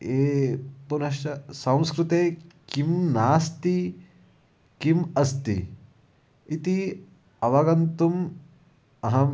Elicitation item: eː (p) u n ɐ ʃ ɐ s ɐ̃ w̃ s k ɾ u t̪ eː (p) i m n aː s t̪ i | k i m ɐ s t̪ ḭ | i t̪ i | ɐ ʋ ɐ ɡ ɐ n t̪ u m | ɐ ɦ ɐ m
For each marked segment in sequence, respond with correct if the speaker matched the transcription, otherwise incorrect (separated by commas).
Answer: correct, incorrect